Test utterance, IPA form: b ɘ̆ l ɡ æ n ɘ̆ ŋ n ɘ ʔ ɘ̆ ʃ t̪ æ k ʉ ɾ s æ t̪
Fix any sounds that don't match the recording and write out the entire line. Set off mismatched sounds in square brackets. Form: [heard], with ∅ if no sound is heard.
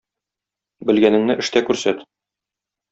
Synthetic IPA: b ɘ̆ l ɡ æ n ɘ̆ ŋ n ɘ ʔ ɘ̆ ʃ t̪ æ k ʉ ɾ s æ t̪